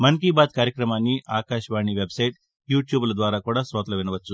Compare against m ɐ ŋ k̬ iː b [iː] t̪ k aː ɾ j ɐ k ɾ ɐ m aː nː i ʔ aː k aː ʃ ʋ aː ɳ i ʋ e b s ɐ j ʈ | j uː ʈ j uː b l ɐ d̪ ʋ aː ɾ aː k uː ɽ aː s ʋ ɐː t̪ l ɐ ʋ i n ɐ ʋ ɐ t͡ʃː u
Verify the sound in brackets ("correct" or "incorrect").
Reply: incorrect